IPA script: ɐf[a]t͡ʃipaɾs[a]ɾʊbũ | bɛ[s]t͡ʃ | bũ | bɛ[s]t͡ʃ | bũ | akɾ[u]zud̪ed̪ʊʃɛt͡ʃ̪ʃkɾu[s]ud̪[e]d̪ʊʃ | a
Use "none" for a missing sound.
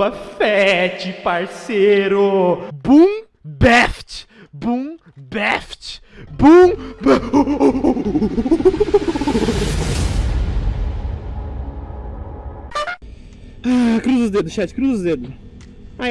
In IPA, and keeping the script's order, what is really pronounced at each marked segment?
ɛ, e, f, f, u, z, e

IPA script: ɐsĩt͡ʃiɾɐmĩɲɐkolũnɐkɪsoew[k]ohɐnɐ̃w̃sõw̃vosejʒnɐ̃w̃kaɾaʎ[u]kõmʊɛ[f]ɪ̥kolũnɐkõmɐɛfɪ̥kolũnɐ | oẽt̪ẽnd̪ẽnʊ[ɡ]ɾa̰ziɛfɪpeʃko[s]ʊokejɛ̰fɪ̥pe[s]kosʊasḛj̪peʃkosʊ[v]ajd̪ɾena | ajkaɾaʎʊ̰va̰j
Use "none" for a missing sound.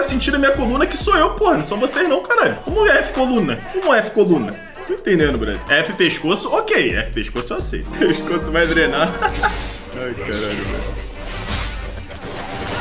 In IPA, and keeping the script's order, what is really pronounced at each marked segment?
p, ʊ, f, b, s, ʃ, v

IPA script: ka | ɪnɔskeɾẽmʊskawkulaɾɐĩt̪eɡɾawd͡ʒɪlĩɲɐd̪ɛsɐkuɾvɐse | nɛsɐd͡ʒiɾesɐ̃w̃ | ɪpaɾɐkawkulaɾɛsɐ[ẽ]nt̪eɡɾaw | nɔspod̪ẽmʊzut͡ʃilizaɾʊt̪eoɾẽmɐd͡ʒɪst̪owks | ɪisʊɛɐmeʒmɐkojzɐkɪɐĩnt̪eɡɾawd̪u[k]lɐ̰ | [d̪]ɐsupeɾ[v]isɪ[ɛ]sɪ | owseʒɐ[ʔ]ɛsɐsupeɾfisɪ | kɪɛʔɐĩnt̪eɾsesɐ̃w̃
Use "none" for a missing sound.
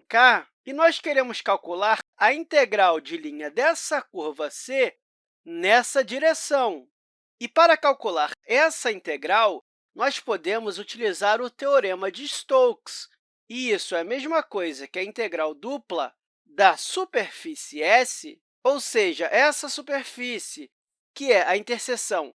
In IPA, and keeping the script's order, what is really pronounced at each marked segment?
ĩ, p, d̪, f, ɛ, ʔ

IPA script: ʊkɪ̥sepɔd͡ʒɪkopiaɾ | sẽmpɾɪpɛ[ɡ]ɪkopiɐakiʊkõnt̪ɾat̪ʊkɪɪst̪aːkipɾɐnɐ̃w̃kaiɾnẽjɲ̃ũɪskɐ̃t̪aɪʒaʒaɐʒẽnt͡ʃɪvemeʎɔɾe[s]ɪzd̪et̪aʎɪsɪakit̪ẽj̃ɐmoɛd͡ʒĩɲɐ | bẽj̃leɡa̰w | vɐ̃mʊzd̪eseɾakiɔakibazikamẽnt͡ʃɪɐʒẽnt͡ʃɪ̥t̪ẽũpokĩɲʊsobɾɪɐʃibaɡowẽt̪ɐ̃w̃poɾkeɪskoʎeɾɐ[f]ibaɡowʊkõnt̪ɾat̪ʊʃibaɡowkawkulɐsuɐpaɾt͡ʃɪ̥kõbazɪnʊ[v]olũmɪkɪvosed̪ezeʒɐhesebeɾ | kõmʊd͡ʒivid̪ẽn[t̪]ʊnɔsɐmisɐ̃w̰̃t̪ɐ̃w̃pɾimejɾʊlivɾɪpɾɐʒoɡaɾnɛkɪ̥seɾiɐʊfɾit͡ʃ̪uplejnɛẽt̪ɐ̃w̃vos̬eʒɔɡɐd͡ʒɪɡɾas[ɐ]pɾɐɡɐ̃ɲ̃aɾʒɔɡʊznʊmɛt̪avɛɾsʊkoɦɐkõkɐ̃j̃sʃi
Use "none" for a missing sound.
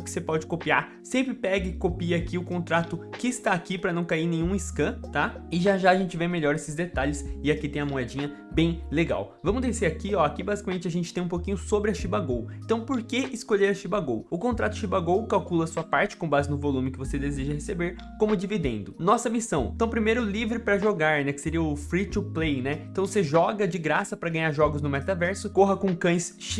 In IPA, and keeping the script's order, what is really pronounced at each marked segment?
ɡ, s, ʃ, v, d̪, ɐ

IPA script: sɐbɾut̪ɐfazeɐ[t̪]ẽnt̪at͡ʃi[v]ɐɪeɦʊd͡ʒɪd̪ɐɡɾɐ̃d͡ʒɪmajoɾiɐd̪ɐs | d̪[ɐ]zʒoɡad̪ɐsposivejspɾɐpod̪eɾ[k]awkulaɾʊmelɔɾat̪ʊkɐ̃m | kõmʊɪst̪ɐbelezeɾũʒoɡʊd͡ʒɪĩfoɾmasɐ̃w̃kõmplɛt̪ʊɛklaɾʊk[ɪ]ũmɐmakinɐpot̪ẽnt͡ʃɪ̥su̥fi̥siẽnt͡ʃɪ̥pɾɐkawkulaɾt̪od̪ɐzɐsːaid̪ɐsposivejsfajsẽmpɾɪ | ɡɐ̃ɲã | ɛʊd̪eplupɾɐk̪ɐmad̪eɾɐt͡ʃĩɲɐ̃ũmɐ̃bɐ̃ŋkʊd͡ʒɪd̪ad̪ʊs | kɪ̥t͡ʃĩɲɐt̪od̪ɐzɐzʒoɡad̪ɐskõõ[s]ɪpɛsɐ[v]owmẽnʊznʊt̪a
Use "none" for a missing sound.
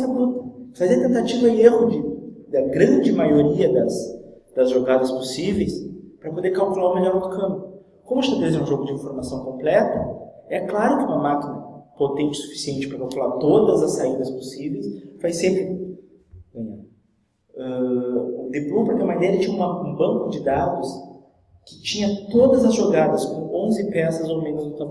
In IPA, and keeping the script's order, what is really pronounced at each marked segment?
t̪, v, ɐ, k, ɪ, z, z

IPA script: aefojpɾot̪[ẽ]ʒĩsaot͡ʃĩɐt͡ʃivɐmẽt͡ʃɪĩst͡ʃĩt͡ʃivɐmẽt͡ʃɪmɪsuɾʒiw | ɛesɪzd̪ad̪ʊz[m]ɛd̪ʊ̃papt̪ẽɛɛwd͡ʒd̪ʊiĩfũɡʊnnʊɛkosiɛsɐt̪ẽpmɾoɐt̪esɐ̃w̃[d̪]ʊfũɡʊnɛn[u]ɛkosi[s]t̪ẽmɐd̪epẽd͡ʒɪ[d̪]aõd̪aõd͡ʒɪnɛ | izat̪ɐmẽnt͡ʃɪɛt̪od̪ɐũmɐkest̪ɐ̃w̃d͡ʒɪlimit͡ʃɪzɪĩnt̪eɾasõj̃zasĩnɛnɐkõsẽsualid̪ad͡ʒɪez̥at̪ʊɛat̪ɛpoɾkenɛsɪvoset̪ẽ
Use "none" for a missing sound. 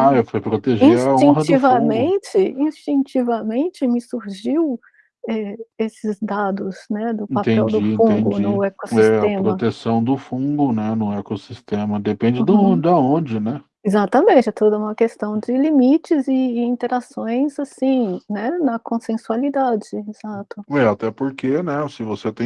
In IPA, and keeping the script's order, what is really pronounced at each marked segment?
e, n, d̪, ʊ, s, d̪

